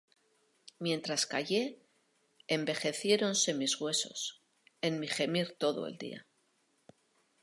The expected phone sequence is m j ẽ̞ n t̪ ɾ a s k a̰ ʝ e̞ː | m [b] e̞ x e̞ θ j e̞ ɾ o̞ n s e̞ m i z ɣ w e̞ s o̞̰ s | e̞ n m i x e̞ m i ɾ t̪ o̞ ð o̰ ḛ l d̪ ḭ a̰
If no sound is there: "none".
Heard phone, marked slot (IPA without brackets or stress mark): b